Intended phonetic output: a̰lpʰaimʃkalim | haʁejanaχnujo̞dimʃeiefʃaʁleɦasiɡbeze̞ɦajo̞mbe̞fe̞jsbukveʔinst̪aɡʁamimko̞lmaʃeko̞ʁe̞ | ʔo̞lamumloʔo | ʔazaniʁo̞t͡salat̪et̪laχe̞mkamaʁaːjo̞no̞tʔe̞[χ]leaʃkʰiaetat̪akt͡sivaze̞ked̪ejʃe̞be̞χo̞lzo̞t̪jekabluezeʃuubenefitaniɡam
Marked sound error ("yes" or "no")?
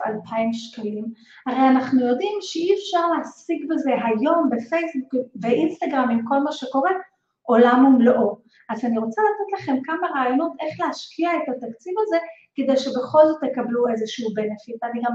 no